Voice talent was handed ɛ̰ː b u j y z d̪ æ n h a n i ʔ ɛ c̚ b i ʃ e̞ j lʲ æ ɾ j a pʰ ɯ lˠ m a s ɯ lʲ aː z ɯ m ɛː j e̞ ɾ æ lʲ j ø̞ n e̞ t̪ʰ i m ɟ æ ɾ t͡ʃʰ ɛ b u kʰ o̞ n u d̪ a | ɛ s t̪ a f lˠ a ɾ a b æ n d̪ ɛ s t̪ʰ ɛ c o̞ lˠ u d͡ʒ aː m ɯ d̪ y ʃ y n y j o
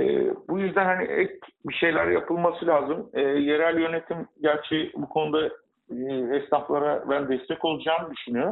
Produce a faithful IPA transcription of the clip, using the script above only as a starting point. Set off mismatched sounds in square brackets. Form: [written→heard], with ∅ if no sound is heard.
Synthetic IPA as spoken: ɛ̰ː b u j y z d̪ æ n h a n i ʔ ɛ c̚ b i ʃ e̞ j lʲ æ ɾ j a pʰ ɯ lˠ m a s ɯ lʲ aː z ɯ m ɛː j e̞ ɾ æ lʲ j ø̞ n e̞ t̪ʰ i m ɟ æ ɾ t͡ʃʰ ɛ b u kʰ o̞ n u d̪ a | ɛ s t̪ a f lˠ a ɾ a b æ n d̪ ɛ s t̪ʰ ɛ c o̞ lˠ u d͡ʒ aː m ɯ d̪ y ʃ y n y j o